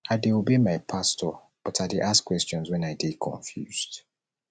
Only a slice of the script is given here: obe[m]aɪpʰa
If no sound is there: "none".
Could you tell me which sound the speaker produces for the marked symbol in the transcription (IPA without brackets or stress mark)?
m